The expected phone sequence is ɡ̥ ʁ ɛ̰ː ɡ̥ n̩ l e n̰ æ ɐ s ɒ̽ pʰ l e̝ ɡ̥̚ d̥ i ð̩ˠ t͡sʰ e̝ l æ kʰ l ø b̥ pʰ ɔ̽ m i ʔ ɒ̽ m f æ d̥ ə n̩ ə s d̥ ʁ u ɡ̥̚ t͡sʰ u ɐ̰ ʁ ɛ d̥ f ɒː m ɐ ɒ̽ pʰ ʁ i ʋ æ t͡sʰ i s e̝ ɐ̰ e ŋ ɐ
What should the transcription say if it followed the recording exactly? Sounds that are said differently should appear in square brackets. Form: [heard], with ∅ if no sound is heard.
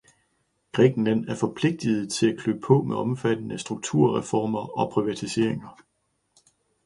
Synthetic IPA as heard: ɡ̥ ʁ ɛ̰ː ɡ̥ n̩ l [æ] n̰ æ ɐ [f] ɒ̽ pʰ l e̝ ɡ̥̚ d̥ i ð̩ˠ t͡sʰ e̝ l æ kʰ l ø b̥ pʰ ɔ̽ m [e] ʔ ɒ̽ m f æ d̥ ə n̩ ə s d̥ ʁ u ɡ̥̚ t͡sʰ u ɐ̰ ʁ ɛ [∅] f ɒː m ɐ ɒ̽ pʰ ʁ i ʋ æ t͡sʰ i s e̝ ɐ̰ e ŋ ɐ